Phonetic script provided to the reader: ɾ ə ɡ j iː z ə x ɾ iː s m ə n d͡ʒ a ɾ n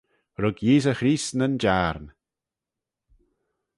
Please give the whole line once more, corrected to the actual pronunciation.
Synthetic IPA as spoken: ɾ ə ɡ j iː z ə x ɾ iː s n ə n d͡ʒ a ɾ n